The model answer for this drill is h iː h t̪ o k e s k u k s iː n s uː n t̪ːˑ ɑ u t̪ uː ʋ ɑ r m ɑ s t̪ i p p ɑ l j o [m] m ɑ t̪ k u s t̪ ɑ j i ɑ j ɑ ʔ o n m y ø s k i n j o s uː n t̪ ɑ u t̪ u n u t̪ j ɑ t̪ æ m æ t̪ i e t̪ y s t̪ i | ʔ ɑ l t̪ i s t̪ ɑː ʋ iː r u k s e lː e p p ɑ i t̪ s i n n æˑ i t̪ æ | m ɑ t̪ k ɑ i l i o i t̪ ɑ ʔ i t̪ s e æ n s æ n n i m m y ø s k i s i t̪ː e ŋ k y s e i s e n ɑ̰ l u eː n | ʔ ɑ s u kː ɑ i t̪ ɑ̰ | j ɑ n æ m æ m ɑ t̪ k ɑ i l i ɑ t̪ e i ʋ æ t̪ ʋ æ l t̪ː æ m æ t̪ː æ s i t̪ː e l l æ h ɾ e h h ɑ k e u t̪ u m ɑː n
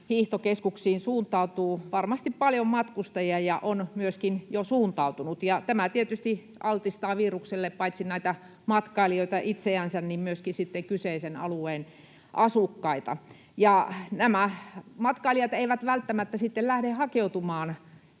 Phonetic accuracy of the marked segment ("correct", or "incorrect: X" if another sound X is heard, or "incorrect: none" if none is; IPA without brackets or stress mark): correct